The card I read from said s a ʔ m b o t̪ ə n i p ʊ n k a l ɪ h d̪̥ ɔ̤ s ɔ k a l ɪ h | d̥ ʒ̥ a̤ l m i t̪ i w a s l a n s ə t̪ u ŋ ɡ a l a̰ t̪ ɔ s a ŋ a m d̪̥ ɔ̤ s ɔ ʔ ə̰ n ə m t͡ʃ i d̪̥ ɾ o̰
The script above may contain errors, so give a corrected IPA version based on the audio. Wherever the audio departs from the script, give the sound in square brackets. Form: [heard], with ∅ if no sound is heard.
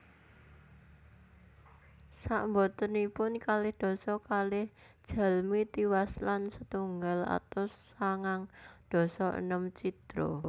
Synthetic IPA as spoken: s a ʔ m b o t̪ ə n i p ʊ n k a l ɪ h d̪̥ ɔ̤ s ɔ k a l ɪ h | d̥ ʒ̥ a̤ l m i t̪ i w a s l a n s ə t̪ u ŋ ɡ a l a̰ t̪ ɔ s a ŋ a [ŋ] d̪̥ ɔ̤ s ɔ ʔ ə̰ n ə m t͡ʃ i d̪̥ ɾ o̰

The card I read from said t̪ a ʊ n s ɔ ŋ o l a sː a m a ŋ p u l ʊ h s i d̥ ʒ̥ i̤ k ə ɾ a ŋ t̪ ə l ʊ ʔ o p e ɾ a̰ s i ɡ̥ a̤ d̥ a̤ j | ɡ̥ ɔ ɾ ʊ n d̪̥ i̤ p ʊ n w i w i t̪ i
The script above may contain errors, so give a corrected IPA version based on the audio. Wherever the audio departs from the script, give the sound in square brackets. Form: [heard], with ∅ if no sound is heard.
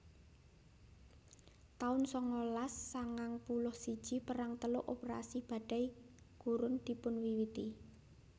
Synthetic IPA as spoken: t̪ a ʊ n s ɔ ŋ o l a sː a [ŋ] a ŋ p u l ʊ h s i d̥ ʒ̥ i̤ [p] ə ɾ a ŋ t̪ ə l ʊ ʔ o p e ɾ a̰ s i [b̥] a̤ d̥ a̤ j | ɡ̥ [u] ɾ ʊ n d̪̥ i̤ p ʊ n w i w i t̪ i

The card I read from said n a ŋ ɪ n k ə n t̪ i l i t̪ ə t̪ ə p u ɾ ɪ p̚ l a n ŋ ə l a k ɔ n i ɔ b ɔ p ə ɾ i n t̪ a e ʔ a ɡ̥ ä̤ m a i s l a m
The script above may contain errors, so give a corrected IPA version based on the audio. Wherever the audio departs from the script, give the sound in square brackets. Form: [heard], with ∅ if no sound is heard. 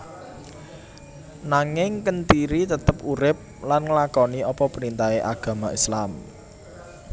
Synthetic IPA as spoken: n a ŋ ɪ [ŋ] k ə n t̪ i [ɾ] i t̪ ə t̪ ə p u ɾ ɪ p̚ l a n ŋ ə l a k ɔ n i ɔ [p] ɔ p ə ɾ i n t̪ a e ʔ a ɡ̥ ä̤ m a i s l a m

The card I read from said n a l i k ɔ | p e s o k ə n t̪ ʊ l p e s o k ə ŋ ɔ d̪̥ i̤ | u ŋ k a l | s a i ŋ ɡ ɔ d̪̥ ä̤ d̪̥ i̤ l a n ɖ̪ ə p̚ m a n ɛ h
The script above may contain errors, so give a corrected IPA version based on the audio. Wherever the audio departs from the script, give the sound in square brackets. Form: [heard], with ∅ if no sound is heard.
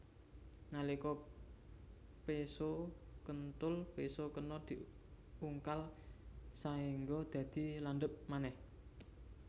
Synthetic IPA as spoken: n a l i k ɔ | p e s o k ə n t̪ ʊ l p e s o k ə [n] ɔ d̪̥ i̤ | u ŋ k a l | s a i ŋ ɡ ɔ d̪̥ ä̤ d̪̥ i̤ l a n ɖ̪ ə p̚ m a n ɛ h

